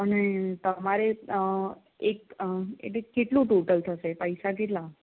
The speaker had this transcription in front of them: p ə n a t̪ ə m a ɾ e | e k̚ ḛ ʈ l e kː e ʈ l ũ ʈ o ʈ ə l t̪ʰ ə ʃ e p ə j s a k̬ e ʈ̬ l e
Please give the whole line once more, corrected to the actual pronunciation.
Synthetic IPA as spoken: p ə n e t̪ ə m a ɾ e | e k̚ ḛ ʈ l e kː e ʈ l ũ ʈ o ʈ ə l t̪ʰ ə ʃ e p ə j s a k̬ e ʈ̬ l a